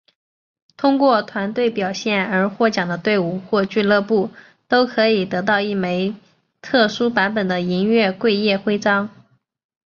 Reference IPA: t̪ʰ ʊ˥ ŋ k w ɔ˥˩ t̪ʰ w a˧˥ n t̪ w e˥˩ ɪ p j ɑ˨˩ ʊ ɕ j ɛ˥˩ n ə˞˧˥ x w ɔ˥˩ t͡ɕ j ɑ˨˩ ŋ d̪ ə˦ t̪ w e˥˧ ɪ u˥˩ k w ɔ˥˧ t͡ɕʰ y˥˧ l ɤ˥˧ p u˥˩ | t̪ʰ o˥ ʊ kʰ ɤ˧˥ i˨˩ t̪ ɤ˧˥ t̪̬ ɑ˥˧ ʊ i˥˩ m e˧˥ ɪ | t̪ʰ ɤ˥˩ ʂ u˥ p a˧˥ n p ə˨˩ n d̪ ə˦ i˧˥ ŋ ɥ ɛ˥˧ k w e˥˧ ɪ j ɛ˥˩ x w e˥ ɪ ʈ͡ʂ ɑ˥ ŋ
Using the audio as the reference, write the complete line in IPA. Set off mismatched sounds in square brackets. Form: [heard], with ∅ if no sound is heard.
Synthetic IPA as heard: t̪ʰ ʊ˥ ŋ k w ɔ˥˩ t̪ʰ w a˧˥ n t̪ w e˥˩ ɪ p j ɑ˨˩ ʊ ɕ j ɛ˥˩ n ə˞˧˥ x w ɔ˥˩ t͡ɕ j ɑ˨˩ ŋ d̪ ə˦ t̪ w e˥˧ ɪ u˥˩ [x] w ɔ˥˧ [t͡ɕ] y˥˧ l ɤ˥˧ p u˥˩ | [t̪] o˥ ʊ kʰ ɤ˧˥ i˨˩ t̪ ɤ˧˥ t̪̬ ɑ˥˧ ʊ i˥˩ m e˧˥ ɪ | t̪ʰ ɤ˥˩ ʂ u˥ p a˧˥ n p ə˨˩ n d̪ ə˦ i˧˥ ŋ ɥ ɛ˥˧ k w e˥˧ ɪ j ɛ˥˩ x w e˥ ɪ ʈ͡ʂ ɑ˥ ŋ

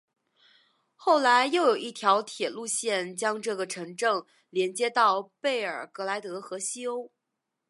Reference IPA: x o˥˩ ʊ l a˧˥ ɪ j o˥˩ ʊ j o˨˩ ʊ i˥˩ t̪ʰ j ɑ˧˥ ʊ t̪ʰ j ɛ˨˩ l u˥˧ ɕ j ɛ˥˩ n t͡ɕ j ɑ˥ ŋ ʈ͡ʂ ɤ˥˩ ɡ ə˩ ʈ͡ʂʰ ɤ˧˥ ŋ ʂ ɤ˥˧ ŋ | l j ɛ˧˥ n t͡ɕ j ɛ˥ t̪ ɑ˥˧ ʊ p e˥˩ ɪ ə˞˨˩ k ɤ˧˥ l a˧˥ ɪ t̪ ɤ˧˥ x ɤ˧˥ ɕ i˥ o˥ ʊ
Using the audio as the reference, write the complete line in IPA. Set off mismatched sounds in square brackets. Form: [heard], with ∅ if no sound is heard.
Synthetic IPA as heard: x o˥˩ ʊ l a˧˥ ɪ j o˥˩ ʊ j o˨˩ ʊ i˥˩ t̪ʰ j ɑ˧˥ ʊ t̪ʰ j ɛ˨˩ l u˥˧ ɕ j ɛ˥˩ n t͡ɕ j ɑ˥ ŋ ʈ͡ʂ ɤ˥˩ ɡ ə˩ ʈ͡ʂʰ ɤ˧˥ ŋ [ʈ͡ʂ] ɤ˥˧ ŋ | l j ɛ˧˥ n t͡ɕ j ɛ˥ t̪ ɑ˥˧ ʊ p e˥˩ ɪ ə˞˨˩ k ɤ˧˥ l a˧˥ ɪ t̪ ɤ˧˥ x ɤ˧˥ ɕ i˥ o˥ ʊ

